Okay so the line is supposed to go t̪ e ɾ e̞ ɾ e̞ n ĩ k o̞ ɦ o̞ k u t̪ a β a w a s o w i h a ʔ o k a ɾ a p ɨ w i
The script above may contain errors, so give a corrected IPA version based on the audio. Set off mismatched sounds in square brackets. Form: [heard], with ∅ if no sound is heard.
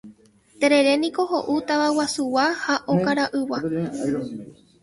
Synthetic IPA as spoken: t̪ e ɾ e̞ ɾ e̞ n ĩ k o̞ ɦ o̞ [ʔ] u t̪ a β a w a s [u] w [a] h a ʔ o k a ɾ a [ʔ] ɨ w [a]